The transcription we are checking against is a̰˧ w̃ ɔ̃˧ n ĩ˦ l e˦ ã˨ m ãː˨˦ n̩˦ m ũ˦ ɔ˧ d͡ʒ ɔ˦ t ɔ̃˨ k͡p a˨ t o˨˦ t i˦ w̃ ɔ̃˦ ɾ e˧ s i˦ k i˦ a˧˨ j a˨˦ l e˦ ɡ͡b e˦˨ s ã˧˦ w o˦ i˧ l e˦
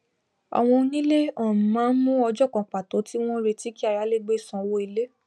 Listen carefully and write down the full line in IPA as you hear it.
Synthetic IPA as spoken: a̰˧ w̃ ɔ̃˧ n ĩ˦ l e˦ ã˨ m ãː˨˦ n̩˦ m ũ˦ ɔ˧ d͡ʒ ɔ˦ k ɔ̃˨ k͡p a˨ t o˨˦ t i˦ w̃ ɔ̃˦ ɾ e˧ t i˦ k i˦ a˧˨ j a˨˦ l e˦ ɡ͡b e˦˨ s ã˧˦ w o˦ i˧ l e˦